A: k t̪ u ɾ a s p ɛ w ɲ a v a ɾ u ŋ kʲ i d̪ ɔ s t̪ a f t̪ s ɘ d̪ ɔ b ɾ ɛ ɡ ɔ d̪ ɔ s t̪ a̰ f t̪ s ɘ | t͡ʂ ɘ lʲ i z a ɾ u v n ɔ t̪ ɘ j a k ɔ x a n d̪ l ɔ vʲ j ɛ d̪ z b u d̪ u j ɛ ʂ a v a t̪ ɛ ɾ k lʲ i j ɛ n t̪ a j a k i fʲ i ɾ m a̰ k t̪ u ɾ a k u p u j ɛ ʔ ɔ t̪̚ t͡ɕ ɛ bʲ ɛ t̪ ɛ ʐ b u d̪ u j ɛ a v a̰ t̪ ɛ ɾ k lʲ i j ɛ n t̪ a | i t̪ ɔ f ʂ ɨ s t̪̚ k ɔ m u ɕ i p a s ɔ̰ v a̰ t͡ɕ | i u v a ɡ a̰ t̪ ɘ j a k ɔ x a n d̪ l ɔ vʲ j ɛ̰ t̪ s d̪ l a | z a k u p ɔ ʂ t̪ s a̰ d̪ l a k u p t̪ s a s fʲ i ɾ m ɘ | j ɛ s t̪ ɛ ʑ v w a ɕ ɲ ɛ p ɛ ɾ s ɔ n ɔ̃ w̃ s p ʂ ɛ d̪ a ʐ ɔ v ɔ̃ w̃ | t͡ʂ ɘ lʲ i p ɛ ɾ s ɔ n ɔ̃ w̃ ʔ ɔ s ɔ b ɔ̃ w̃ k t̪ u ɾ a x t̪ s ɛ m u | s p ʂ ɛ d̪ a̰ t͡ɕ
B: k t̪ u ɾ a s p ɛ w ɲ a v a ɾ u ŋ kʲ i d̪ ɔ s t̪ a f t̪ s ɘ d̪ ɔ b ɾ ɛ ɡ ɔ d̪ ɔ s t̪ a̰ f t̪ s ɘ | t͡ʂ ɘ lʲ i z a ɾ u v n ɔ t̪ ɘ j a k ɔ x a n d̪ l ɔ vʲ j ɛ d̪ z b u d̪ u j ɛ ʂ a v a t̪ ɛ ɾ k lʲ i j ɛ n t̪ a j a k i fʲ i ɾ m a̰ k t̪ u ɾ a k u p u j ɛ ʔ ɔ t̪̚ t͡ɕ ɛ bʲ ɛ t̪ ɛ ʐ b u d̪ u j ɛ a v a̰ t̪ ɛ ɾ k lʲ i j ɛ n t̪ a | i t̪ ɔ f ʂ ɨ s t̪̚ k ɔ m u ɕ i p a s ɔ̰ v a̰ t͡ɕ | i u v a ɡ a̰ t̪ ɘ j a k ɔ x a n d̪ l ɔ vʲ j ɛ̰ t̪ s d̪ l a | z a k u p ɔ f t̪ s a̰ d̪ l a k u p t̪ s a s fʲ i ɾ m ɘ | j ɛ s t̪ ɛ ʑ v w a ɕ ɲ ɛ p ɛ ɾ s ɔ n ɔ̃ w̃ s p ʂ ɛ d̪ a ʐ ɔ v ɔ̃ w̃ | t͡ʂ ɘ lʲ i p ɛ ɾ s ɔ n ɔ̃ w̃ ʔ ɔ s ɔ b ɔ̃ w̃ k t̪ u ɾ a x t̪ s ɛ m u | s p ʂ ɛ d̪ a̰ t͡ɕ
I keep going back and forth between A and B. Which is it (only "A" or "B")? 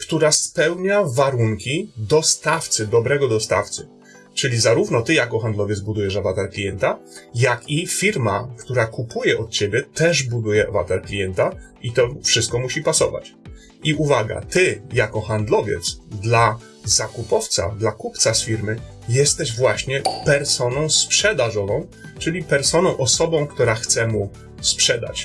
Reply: B